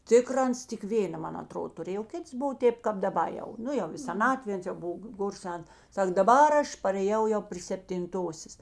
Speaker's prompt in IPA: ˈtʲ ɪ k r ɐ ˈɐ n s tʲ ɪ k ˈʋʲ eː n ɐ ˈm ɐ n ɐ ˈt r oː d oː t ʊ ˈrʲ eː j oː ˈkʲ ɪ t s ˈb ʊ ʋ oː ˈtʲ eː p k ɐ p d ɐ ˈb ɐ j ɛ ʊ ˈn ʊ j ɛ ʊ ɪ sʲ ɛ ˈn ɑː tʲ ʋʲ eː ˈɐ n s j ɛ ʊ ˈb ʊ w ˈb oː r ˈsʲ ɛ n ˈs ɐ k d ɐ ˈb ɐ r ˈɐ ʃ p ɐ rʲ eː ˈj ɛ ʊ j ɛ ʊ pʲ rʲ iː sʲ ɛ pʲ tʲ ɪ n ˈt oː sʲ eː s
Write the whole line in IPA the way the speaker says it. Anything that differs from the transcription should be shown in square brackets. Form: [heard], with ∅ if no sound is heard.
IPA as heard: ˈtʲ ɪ k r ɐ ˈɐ n s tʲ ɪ k ˈʋʲ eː n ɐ ˈm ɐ n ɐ ˈt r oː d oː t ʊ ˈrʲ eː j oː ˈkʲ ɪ t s ˈb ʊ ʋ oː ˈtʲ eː p k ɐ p d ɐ ˈb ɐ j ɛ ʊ ˈn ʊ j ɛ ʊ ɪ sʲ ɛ ˈn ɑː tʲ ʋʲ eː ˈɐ n s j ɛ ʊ ˈb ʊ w [ˈɡ] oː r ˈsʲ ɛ n ˈs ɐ k d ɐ ˈb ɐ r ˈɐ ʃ p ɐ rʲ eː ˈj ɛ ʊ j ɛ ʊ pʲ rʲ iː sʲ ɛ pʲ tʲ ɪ n ˈt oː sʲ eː s